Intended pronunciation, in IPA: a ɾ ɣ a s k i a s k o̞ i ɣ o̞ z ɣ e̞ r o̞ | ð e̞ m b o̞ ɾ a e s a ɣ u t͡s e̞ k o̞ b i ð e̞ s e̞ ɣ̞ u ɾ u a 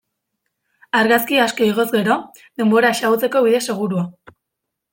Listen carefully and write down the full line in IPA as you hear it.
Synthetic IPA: a ɾ ɣ a s k i a s k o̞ i ɣ o̞ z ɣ e̞ ɾ o̞ | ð e̞ m b o̞ ɾ a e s a ɣ u t͡s e̞ k o̞ β i ð e̞ s e̞ ɣ̞ u ɾ u a